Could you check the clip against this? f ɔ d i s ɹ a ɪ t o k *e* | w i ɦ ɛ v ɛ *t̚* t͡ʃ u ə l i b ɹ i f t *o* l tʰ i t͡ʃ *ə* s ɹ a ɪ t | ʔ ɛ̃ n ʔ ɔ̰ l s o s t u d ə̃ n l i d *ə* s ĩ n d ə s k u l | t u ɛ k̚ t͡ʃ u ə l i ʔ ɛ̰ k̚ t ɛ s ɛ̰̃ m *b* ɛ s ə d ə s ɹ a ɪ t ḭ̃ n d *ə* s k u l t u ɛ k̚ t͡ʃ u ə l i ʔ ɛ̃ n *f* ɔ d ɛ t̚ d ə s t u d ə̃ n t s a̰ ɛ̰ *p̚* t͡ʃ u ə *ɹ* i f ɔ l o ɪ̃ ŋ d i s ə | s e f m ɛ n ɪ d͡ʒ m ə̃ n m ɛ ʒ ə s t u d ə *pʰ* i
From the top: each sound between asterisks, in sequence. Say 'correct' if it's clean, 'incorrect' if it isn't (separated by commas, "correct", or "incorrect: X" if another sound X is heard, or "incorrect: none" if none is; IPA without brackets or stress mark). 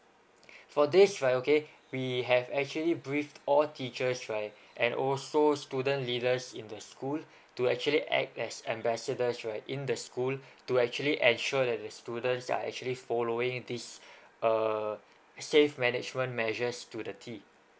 correct, incorrect: k̚, incorrect: ɔ, correct, correct, correct, correct, incorrect: ʃ, incorrect: k̚, incorrect: l, incorrect: tʰ